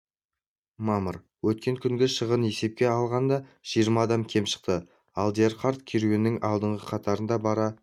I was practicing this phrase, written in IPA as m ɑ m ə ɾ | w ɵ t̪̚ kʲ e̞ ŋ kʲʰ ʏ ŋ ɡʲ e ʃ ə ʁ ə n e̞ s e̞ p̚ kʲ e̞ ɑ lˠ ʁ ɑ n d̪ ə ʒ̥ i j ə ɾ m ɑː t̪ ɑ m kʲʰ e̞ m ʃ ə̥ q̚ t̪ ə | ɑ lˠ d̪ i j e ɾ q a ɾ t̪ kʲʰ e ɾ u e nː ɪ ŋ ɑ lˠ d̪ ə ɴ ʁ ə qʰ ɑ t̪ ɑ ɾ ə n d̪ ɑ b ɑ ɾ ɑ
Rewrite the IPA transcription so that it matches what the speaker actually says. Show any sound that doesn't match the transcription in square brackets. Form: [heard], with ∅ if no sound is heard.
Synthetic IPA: m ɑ m ə ɾ | w ɵ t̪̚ kʲ e̞ ŋ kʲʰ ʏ ŋ ɡʲ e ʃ ə ʁ ə n e̞ s e̞ p̚ kʲ e̞ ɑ lˠ ʁ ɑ n d̪ [ɑ] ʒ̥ i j ə ɾ m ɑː [d̪] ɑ m kʲʰ e̞ m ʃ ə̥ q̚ t̪ ə | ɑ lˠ d̪ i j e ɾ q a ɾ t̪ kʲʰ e ɾ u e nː ɪ ŋ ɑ lˠ d̪ ə ɴ ʁ ə qʰ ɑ t̪ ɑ ɾ ə n d̪ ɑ b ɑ ɾ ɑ